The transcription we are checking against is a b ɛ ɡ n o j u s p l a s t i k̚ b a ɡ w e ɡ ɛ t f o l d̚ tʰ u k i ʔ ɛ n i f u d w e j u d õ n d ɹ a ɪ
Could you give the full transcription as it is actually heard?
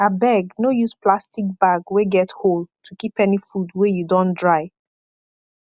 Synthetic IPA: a b ɛ ɡ n o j u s p l a s t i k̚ b a ɡ w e ɡ ɛ t h o l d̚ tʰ u k i p ɛ n i f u d w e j u d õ n d ɹ a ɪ